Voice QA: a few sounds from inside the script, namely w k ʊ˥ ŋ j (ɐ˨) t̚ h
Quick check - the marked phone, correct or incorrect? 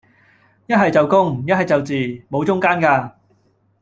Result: incorrect